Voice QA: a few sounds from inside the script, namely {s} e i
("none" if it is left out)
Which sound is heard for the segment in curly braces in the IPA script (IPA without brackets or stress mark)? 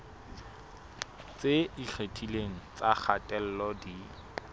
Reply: t͡s